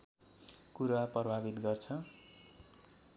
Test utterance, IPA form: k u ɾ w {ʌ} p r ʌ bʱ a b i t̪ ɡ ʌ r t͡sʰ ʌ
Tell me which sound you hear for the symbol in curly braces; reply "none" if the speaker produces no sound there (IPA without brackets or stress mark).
a